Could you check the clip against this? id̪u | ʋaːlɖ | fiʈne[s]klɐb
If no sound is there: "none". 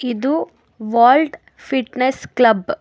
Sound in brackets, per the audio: s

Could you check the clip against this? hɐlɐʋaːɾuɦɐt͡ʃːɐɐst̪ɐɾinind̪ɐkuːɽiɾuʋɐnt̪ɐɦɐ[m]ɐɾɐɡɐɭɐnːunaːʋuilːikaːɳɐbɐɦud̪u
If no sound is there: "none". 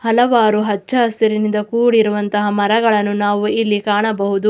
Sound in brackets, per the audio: m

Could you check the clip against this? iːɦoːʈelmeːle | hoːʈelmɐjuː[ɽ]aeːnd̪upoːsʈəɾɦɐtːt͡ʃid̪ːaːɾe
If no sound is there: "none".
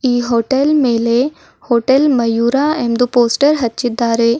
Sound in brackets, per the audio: ɾ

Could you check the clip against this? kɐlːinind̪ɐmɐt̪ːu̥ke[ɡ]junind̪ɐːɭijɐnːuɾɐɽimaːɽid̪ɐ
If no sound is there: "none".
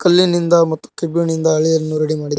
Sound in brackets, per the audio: b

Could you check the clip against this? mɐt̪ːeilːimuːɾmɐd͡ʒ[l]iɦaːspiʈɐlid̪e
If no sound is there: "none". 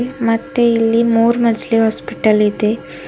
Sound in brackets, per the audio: l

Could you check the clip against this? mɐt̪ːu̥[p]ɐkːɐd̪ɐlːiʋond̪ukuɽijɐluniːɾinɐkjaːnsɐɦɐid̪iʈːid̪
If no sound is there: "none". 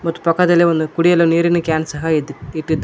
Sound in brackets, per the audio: p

